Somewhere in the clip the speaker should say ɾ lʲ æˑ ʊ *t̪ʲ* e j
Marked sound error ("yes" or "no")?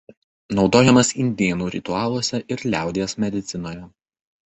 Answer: yes